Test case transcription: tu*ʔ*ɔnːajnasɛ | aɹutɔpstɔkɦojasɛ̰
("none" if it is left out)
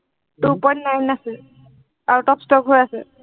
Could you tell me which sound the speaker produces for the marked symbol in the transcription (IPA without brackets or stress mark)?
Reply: p